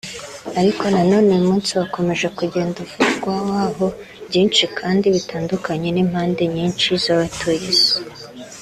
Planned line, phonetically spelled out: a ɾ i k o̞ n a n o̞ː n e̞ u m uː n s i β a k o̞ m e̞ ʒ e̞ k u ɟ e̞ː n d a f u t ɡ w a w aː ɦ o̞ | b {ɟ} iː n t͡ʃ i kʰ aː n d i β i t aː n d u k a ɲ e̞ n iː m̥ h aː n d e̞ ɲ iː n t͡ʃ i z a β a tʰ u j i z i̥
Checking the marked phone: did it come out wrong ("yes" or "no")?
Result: no